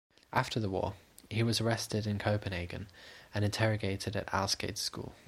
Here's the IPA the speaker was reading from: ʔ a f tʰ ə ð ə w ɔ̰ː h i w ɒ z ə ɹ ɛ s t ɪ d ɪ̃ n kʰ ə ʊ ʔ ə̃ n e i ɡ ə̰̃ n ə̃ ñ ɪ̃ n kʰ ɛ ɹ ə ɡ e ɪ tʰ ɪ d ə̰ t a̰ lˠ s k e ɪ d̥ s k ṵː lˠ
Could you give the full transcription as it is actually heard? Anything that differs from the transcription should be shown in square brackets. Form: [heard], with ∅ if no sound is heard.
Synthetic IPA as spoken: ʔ a f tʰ ə ð ə w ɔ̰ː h i w ɒ z ə ɹ ɛ s t ɪ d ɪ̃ n kʰ ə ʊ [p] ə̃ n e [ɪ] ɡ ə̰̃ n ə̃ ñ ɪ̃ n [tʰ] ɛ ɹ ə ɡ e ɪ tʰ ɪ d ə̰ t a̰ lˠ s k e ɪ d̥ s k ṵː lˠ